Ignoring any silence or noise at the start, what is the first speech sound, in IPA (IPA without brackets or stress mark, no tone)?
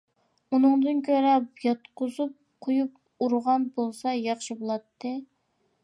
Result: u